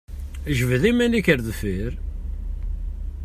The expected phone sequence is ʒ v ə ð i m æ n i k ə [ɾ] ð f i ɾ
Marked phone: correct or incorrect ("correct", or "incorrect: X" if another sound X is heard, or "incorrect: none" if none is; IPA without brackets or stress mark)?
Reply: correct